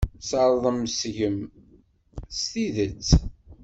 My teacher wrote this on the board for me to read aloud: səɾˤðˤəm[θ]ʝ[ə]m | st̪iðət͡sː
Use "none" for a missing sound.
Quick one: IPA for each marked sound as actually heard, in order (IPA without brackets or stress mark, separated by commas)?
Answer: s, ə